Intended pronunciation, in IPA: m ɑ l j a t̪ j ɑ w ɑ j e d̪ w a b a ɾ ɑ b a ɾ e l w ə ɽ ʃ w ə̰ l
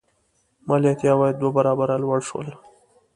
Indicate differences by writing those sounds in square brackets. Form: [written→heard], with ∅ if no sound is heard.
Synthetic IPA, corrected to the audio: m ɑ l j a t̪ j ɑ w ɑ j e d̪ w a b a ɾ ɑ b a ɾ [e→a] l w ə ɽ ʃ w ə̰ l